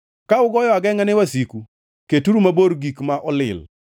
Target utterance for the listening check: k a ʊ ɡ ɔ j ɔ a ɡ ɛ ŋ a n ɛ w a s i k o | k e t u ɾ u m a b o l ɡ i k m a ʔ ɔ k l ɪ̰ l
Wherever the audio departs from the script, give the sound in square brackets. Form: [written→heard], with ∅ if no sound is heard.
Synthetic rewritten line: k a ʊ ɡ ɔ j ɔ a ɡ ɛ ŋ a n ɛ w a s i k [o→u] | k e t u ɾ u m a b o [l→ɾ] ɡ i k m a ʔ ɔ [k→∅] l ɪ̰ l